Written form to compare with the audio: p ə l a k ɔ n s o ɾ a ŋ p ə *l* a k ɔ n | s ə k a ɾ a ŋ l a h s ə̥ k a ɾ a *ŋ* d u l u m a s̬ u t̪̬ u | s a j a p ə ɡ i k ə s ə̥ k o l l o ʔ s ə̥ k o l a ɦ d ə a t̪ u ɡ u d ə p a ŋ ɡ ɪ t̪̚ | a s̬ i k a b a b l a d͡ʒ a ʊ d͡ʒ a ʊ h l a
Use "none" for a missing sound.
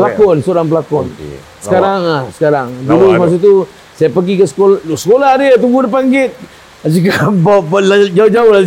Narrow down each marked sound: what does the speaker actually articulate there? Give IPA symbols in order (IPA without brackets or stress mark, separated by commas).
l, ŋ